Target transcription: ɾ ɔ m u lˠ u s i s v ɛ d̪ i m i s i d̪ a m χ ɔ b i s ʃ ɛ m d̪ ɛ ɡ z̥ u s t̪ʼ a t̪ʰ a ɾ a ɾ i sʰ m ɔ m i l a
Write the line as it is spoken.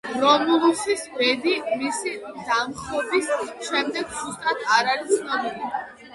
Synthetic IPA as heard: ɾ ɔ m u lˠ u s i s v ɛ d̪ i m i s i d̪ a m χ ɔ b i s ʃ ɛ m d̪ ɛ ɡ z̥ u s t̪ʼ a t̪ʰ a ɾ a ɾ i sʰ n ɔ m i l i